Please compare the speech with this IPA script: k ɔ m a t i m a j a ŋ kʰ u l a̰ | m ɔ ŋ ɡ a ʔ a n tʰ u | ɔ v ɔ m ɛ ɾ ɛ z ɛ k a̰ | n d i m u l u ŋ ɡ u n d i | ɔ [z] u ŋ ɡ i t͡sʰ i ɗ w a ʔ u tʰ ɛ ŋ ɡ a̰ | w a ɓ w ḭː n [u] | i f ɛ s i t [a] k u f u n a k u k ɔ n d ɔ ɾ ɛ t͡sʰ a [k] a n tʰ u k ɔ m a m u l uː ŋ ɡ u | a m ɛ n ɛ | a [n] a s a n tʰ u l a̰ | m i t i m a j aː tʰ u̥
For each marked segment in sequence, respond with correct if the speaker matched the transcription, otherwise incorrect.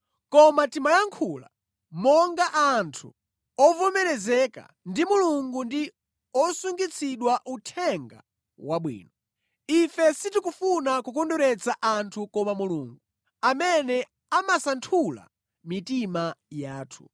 incorrect, incorrect, incorrect, incorrect, incorrect

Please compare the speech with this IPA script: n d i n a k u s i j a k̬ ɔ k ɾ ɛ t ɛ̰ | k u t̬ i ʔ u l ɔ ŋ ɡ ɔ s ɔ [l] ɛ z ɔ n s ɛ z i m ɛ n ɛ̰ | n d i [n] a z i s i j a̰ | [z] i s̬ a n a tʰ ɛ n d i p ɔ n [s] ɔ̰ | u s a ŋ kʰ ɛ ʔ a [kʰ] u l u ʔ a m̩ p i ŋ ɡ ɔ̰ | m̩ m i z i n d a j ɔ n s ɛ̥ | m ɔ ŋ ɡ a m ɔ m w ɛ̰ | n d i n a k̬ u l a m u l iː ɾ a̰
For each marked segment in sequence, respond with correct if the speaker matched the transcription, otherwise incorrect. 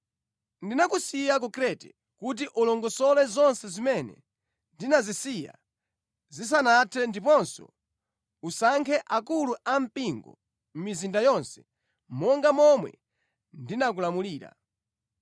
correct, correct, correct, correct, incorrect

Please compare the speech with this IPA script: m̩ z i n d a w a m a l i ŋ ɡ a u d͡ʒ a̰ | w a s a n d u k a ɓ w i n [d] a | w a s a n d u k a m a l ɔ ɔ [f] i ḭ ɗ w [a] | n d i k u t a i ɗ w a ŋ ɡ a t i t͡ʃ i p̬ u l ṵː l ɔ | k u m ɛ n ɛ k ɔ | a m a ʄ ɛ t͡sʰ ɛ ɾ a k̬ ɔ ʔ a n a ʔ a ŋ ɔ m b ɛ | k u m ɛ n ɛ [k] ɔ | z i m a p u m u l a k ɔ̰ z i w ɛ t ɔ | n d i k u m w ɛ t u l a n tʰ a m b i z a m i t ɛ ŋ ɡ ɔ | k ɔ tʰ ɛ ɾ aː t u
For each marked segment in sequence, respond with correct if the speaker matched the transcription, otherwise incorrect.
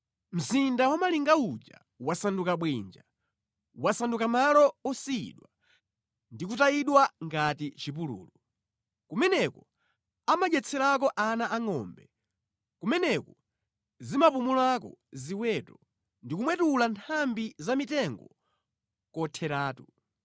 incorrect, incorrect, correct, correct

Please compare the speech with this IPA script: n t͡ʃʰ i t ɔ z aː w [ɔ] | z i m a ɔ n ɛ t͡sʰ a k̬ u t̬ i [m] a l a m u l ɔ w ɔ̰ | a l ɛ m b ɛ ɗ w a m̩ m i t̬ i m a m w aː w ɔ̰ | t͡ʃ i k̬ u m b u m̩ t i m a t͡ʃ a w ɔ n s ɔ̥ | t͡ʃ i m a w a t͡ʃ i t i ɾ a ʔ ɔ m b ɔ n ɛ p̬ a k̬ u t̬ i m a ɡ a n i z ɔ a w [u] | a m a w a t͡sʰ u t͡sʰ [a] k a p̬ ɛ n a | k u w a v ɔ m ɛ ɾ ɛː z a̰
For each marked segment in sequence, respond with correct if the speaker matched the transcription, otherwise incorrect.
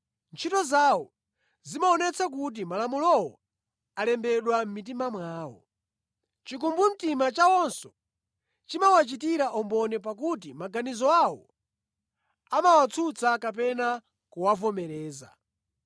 correct, correct, incorrect, correct

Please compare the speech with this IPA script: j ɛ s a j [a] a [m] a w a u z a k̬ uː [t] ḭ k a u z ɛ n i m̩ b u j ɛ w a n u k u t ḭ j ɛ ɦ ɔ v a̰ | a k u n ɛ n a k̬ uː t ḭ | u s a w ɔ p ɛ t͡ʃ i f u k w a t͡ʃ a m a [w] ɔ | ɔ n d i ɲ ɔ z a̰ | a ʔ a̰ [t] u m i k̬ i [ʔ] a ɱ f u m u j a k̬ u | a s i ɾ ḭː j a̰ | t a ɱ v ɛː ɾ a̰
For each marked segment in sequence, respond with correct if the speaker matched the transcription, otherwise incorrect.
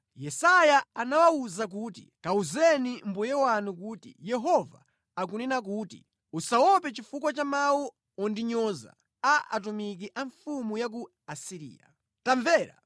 correct, incorrect, correct, correct, correct, correct

